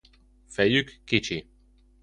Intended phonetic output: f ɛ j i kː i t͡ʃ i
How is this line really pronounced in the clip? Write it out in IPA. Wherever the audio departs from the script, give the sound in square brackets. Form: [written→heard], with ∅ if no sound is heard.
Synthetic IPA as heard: f ɛ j [i→y] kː i t͡ʃ i